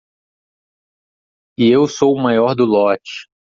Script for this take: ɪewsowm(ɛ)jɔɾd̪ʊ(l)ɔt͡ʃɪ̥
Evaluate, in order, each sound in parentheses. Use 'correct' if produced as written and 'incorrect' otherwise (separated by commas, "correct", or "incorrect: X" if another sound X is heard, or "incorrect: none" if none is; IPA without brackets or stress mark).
incorrect: a, correct